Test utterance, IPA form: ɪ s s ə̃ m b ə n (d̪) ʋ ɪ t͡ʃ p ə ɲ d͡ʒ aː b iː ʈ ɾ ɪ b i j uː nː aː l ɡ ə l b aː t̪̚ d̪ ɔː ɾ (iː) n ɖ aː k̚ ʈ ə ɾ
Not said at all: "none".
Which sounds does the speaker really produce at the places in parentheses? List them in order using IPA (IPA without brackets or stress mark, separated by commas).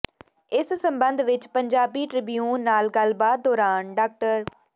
d̪, aː